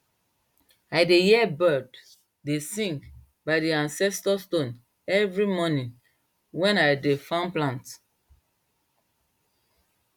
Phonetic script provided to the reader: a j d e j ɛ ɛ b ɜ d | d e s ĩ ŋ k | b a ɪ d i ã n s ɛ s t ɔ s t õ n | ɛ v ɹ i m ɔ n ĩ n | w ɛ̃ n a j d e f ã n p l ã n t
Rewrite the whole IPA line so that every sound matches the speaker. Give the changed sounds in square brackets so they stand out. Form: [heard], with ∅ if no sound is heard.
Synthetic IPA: a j d e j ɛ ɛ b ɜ d | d e s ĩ ŋ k | b a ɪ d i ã n s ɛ s t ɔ s t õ n | ɛ v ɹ i m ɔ n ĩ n | w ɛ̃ n a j d e f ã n p l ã n t